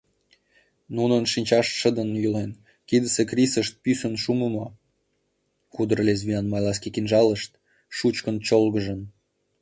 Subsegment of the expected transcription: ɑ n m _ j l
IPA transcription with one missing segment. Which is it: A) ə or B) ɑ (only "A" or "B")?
B